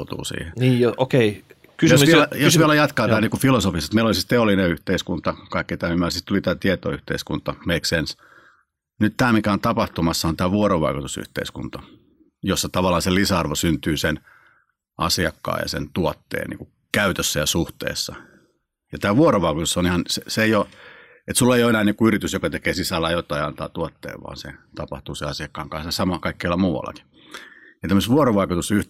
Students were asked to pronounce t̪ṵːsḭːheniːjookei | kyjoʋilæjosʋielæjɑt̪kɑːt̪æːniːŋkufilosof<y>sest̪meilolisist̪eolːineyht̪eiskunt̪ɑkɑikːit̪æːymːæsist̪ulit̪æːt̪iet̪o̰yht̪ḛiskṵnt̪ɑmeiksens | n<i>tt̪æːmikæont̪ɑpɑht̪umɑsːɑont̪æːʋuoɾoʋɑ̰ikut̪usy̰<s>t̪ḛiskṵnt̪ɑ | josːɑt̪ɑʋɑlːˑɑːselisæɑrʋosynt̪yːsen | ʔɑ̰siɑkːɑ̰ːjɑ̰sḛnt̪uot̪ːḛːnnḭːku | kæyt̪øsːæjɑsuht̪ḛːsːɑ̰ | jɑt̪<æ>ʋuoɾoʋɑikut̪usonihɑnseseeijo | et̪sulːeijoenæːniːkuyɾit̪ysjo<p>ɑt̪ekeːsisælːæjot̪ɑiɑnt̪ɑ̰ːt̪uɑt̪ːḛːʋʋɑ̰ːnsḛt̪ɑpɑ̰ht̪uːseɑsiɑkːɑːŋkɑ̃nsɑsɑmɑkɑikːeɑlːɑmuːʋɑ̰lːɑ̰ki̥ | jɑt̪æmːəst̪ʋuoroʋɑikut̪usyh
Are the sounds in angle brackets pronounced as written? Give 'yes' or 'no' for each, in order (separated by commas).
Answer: no, no, no, no, no